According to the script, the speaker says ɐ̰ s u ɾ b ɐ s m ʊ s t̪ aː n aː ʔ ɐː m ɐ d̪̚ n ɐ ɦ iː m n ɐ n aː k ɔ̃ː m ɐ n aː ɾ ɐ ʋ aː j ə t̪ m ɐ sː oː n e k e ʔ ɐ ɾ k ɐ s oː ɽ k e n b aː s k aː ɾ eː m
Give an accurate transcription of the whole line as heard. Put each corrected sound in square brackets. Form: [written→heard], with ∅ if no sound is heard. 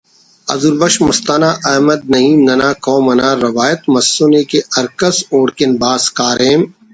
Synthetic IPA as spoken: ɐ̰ [s→z] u ɾ b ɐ [s→ʃ] m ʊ s t̪ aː n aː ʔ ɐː m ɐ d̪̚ n ɐ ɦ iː m n ɐ n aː k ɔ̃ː m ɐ n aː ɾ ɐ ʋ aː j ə t̪ m ɐ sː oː n e k e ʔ ɐ ɾ k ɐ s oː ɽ k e n b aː s k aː ɾ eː m